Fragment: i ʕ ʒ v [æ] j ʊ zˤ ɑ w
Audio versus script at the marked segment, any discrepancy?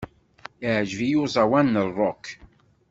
yes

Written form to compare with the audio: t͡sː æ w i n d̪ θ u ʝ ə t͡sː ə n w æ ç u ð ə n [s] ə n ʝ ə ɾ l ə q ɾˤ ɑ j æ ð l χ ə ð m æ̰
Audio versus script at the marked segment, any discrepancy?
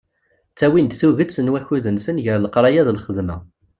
no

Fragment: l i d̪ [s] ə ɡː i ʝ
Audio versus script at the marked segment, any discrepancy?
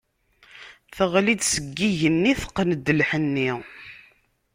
no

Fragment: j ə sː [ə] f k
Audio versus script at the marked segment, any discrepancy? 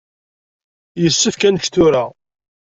no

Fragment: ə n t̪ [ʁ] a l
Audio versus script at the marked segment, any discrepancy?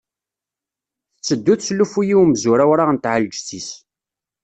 yes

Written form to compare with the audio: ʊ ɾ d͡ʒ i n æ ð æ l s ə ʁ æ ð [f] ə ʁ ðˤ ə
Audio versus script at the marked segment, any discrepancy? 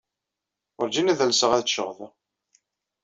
yes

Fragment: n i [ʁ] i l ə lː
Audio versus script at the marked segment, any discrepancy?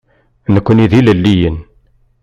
yes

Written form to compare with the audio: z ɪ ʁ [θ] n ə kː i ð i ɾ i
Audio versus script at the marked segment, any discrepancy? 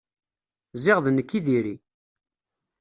yes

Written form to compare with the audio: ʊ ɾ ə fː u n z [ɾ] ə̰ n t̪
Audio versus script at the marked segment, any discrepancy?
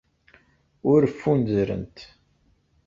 no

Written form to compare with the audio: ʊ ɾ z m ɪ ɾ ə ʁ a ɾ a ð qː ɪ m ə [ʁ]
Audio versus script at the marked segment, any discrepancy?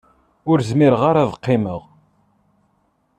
no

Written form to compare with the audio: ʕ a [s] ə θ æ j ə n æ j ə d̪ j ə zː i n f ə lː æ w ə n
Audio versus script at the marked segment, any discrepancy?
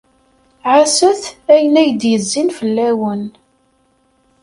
no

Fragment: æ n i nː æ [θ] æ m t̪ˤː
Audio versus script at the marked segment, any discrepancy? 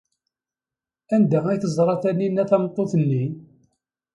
no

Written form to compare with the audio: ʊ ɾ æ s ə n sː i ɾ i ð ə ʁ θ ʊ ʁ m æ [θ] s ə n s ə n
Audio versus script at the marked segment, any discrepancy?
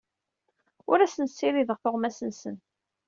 yes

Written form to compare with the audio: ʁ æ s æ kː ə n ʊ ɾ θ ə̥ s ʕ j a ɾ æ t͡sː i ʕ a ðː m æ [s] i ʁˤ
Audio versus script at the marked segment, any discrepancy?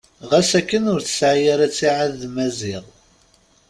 yes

